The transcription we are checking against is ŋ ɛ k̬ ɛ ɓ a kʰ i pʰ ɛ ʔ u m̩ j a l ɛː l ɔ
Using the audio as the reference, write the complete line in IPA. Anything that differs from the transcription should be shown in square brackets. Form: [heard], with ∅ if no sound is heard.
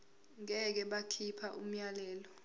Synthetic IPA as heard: ŋ ɛ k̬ ɛ ɓ a kʰ i pʰ [a] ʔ u m̩ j a l ɛː l ɔ

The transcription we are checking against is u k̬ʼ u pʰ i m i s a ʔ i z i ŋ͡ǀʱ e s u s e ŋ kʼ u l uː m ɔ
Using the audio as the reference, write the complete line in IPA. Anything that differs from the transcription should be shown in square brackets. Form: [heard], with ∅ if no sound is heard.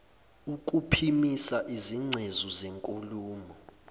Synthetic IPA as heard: u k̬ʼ u pʰ i m i s a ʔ i z i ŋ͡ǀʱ e [z] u [z] e ŋ kʼ u l uː m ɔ

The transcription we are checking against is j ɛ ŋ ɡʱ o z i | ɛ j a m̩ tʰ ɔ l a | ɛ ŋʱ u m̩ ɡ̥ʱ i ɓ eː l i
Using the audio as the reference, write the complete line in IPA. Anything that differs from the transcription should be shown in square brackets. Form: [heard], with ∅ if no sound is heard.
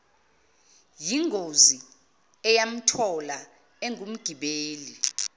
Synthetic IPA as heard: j [i] ŋ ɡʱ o z i | ɛ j a m̩ tʰ ɔ l a | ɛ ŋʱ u m̩ ɡ̥ʱ i ɓ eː l i

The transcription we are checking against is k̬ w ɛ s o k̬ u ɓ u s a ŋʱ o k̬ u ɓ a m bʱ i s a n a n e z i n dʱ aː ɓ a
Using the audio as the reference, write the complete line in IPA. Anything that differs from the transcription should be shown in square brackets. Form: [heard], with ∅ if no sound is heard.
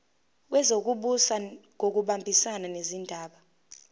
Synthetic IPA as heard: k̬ w ɛ [z] o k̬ u ɓ u s a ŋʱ o k̬ u ɓ a m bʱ i s a n a n e z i n dʱ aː ɓ a

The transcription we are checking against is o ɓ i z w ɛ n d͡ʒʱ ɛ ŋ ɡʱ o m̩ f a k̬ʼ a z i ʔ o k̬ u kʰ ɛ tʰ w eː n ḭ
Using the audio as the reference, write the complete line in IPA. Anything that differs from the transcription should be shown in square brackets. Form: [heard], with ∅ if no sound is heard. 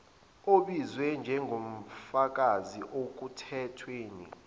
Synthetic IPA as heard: o ɓ i z w ɛ n d͡ʒʱ ɛ ŋ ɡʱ o m̩ f a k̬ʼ a z i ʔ o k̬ u [tʰ] ɛ tʰ w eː n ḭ

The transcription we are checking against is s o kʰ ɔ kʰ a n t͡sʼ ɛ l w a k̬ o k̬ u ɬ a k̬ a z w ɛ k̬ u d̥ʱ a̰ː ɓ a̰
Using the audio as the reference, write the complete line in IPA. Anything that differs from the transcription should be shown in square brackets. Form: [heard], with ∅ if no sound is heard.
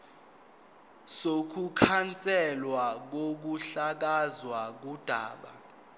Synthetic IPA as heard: s o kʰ [u] kʰ a n t͡sʼ ɛ l w a k̬ o k̬ u ɬ a k̬ a z w [a] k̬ u d̥ʱ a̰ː ɓ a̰

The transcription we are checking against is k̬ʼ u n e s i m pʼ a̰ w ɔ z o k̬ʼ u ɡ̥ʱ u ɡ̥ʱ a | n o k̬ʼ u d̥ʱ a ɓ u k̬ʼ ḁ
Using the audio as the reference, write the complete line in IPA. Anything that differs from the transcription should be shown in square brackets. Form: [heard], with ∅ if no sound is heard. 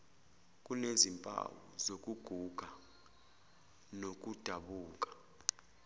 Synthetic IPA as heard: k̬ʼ u n e [z] i m pʼ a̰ w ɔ z o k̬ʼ u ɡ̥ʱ u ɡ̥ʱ a | n o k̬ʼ u d̥ʱ a ɓ [uː] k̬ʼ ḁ

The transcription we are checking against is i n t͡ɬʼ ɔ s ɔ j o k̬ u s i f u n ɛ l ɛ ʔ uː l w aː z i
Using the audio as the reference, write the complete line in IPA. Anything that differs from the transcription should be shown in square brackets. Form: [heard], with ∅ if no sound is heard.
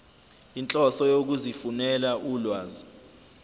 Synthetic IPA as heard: i n t͡ɬʼ ɔ s ɔ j o k̬ u [z] i f u n ɛ l [a] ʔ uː l w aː z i

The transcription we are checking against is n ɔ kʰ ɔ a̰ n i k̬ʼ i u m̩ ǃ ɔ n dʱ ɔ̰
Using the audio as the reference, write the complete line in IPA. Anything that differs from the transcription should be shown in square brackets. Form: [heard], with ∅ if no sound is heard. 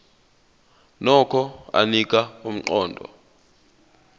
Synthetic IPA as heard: n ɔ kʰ ɔ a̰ n i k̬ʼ [a] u m̩ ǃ [ɔː] n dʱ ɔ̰

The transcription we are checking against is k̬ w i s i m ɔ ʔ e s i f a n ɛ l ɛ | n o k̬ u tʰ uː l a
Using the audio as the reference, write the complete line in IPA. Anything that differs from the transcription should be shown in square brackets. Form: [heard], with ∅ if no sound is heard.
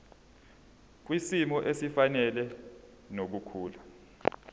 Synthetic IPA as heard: k̬ w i s i m ɔ ʔ e s i f a n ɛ l ɛ | n o k̬ u [kʰ] uː l a

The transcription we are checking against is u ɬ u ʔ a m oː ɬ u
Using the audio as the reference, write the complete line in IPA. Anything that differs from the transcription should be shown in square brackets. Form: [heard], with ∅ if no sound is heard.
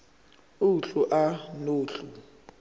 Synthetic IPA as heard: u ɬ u ʔ a [n] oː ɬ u

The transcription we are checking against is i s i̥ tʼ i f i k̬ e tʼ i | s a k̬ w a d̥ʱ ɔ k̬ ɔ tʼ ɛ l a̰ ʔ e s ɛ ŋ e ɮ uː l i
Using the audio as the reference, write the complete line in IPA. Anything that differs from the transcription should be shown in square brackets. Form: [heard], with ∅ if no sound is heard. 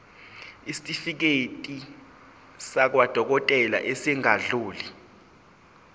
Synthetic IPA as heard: i s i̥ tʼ i f i k̬ e tʼ i | s a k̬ w a d̥ʱ ɔ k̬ ɔ tʼ ɛ l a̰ ʔ e s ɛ ŋ [a] ɮ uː l i

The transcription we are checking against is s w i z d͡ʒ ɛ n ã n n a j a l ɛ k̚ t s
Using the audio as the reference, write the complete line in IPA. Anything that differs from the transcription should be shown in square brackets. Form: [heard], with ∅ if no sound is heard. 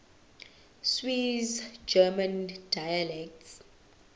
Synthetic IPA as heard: s w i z d͡ʒ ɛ [m] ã n [d] a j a l ɛ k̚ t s

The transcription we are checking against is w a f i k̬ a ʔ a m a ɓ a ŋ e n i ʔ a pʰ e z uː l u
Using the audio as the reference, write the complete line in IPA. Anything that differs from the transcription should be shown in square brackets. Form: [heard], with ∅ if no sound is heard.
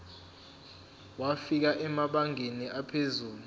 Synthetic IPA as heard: w a f i k̬ a ʔ [ɛ] m a ɓ a ŋ e n i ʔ a pʰ e z uː l u

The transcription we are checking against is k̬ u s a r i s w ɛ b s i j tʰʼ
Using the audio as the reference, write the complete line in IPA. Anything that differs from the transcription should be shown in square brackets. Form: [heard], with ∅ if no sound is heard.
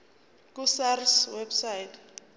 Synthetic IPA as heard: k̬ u s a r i s w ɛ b s [a] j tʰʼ

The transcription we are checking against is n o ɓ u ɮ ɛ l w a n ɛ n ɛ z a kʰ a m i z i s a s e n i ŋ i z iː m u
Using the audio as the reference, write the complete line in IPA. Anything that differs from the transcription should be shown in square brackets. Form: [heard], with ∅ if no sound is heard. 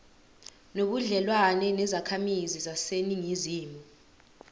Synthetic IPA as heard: n o ɓ u ɮ ɛ l w a n ɛ n ɛ z a kʰ a m i z i [z] a s e n i ŋ i z iː m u

